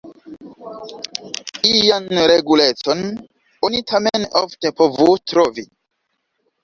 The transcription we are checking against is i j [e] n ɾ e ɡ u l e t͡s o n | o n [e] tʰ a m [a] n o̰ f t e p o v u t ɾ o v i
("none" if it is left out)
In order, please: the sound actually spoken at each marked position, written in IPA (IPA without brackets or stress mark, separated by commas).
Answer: a, i, e